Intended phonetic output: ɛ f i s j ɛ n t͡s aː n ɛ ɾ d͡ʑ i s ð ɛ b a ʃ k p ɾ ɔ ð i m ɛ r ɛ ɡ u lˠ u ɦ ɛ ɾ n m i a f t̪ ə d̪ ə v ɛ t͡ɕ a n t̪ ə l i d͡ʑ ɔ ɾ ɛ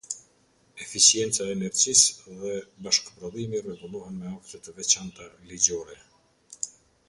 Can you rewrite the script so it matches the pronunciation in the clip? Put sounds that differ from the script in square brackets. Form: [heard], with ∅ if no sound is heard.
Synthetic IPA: ɛ f i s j ɛ n t͡s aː n ɛ ɾ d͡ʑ i s ð ɛ b a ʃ k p ɾ ɔ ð i m [i] r ɛ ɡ u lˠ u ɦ ɛ [∅] n m [ɛ] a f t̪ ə [t̪] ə v ɛ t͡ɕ a n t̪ [a] l i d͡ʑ ɔ ɾ ɛ